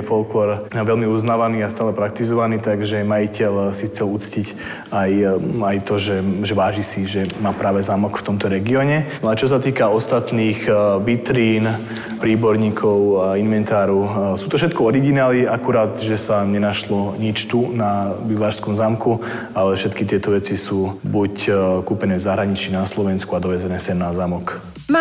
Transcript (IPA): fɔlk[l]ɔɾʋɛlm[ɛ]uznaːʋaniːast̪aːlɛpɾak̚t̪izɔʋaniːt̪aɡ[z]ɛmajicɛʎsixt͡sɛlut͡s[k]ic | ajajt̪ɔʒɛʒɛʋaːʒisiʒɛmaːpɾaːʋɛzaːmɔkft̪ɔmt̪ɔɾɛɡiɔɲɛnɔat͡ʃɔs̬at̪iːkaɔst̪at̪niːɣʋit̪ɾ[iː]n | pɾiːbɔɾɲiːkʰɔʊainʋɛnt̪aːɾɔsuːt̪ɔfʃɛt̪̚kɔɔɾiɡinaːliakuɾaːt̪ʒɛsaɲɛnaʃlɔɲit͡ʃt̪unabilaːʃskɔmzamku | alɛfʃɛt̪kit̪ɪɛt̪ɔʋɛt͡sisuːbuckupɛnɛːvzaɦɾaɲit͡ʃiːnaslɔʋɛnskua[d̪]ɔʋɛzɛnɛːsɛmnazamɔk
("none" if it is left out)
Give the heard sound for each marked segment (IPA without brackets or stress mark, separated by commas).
l, i, ʒ, c, iː, d̪